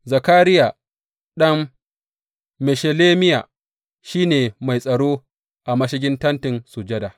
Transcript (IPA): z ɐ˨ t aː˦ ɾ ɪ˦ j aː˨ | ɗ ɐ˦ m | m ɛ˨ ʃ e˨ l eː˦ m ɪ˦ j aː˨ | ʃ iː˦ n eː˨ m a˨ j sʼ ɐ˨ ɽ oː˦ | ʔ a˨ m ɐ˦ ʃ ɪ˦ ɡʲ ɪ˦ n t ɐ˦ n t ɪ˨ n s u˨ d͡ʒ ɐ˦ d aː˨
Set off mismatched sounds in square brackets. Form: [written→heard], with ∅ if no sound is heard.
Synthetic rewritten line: z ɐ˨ [t→k] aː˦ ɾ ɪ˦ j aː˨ | ɗ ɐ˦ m | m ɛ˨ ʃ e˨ l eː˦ m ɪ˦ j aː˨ | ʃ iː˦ n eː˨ m a˨ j sʼ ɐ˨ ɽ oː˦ | ʔ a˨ m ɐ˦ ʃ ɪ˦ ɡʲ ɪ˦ n t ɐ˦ n t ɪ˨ n s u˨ d͡ʒ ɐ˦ d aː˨